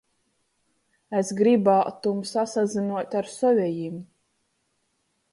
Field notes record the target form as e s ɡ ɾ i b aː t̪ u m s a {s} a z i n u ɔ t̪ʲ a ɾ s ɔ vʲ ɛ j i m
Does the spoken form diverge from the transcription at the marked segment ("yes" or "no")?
no